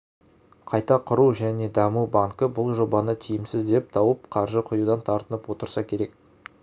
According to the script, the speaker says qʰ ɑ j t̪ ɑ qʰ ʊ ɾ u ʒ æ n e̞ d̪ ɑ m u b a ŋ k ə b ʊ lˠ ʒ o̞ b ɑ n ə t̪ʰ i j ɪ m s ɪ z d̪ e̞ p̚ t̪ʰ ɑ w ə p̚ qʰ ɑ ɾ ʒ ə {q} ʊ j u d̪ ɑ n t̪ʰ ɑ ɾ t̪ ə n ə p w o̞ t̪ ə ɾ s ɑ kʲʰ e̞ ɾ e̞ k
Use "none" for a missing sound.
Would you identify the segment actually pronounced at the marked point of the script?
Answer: qʰ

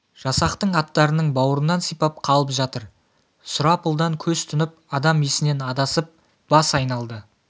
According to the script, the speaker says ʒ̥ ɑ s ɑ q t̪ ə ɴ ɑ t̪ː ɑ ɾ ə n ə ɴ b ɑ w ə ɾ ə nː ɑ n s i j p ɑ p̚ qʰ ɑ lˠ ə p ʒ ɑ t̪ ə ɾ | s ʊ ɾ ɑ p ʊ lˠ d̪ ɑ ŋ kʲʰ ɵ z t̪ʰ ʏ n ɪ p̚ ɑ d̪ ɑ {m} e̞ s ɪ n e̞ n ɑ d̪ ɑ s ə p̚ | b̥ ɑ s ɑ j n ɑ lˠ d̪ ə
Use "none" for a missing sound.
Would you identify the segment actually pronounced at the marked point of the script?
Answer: m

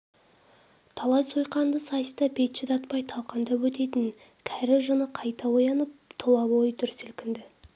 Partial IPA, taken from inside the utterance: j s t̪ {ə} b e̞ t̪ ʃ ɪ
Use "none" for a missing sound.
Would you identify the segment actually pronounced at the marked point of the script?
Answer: ɑ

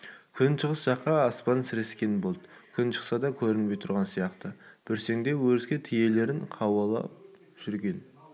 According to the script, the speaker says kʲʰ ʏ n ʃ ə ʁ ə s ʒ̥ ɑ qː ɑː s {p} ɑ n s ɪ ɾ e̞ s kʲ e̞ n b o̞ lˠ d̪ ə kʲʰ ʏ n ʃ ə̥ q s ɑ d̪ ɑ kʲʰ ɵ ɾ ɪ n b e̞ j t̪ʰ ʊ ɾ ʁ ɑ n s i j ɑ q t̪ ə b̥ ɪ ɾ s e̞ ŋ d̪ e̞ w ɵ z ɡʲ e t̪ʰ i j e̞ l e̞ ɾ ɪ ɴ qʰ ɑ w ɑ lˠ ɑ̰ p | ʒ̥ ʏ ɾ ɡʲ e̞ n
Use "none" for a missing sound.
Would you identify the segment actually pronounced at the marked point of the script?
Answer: p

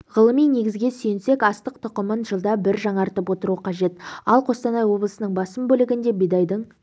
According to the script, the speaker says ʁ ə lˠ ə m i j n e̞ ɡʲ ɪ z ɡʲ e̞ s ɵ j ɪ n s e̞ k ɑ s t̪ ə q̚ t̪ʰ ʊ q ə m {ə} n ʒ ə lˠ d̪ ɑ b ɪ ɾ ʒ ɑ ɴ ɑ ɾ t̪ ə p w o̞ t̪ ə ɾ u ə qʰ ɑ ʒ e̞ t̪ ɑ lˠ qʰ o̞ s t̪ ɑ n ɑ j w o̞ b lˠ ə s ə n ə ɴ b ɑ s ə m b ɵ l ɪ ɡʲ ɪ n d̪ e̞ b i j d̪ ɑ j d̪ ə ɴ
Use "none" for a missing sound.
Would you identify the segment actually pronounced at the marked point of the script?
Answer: ə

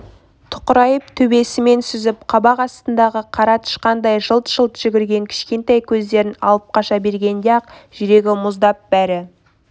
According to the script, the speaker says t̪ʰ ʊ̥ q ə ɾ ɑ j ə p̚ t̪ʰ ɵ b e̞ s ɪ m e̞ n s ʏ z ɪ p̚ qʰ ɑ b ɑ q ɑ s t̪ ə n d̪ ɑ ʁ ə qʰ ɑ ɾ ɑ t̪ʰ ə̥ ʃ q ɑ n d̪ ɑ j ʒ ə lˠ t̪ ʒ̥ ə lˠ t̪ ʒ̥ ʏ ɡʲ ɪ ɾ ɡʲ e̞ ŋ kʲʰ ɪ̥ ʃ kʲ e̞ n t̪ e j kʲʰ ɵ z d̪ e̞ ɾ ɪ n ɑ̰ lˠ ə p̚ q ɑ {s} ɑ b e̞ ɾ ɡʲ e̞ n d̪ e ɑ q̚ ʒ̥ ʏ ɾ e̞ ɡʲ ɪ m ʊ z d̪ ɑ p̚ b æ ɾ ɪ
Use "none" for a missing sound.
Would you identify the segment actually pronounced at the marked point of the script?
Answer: ʃ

